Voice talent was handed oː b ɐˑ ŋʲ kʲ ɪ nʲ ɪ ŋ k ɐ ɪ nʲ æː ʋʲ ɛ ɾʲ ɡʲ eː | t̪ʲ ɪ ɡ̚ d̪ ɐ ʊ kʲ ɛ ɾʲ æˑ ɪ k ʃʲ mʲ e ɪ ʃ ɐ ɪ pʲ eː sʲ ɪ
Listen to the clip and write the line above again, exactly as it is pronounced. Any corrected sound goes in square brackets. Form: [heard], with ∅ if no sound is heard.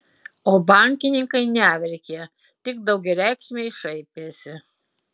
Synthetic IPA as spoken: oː b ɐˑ ŋʲ kʲ ɪ nʲ ɪ ŋ k ɐ ɪ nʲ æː ʋʲ ɛ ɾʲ [kʲ] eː | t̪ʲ ɪ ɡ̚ d̪ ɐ ʊ [ɡʲ] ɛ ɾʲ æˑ ɪ k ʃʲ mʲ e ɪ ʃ ɐ ɪ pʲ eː sʲ ɪ